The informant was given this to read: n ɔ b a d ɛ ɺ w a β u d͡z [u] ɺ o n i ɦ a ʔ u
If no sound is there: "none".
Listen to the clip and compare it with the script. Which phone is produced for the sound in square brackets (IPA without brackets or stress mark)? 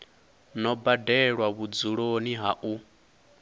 u